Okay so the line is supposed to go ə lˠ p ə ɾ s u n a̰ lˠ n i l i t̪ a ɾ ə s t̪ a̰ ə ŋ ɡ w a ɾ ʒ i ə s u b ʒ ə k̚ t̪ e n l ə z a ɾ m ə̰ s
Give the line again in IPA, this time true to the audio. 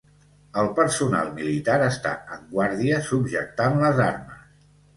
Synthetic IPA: ə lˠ p ə ɾ s u n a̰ lˠ m i l i t̪ a ɾ ə s t̪ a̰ ə ŋ ɡ w a ɾ ð i ə s u b ʒ ə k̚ t̪ a n l ə z a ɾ m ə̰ s